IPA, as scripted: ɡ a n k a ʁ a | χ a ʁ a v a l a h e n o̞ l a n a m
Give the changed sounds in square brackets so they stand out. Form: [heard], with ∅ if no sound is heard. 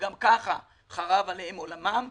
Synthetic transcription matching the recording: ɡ a [m] k a [χ] a | χ a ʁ a v a l [e] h e [m] o̞ l a [m] a m